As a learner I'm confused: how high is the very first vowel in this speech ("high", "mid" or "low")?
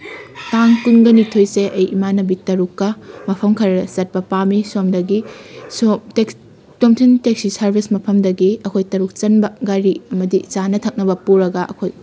low